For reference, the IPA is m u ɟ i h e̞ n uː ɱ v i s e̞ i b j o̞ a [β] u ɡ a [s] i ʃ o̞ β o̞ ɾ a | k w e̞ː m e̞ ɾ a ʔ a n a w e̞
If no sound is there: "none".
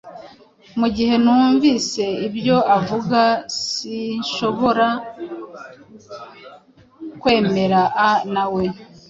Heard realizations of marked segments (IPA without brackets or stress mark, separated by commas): v, s